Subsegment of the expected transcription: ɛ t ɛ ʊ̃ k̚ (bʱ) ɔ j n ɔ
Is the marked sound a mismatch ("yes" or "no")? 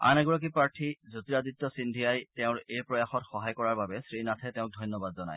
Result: yes